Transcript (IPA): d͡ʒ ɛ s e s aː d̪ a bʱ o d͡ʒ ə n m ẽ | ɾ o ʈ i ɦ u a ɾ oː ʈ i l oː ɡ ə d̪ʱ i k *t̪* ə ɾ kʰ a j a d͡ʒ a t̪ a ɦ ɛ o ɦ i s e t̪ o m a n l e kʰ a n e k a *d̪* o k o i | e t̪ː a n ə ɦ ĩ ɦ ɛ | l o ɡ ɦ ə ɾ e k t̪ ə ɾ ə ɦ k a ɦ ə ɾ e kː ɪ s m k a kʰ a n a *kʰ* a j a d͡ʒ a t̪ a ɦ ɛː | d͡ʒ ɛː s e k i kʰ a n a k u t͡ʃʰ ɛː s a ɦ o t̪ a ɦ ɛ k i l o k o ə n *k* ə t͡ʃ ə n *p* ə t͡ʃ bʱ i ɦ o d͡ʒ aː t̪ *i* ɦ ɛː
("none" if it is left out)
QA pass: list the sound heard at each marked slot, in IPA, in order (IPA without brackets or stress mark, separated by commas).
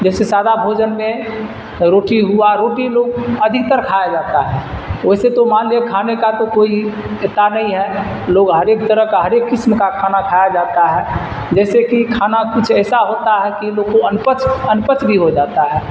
t̪, t̪, kʰ, p, p, a